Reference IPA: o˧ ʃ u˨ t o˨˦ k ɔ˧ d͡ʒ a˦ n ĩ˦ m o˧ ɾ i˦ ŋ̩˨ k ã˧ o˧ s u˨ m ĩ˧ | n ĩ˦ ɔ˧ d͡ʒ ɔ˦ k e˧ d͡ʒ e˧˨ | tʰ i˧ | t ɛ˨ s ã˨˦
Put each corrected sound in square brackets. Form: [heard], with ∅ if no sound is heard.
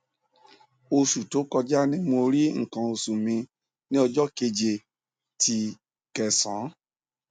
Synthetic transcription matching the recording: o˧ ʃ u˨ t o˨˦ k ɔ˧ d͡ʒ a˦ n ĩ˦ m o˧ ɾ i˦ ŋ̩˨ k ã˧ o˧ s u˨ m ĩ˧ | n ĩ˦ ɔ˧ d͡ʒ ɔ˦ k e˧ d͡ʒ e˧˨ | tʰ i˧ | [k] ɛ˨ s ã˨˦